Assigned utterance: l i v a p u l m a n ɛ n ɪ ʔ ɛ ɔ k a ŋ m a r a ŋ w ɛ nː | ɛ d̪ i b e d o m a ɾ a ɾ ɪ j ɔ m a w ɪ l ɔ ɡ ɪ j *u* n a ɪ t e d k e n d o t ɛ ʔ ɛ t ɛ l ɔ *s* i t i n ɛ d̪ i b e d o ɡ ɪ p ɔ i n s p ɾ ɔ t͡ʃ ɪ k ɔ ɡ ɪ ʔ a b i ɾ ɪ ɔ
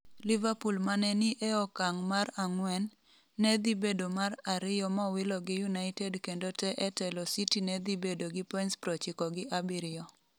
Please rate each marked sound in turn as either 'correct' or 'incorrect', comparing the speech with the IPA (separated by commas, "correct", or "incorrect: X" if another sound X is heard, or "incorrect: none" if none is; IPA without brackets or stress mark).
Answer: correct, correct